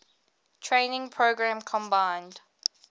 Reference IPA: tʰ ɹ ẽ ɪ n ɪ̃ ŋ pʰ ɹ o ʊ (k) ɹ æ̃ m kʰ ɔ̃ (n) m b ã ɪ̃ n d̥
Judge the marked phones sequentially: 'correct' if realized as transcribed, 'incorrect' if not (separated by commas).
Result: incorrect, incorrect